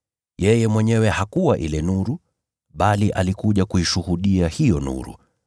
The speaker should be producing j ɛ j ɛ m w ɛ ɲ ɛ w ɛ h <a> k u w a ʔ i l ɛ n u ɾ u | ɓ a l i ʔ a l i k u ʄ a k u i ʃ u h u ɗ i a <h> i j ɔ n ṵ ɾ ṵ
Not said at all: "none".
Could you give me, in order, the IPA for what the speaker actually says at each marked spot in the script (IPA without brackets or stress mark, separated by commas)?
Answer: a, h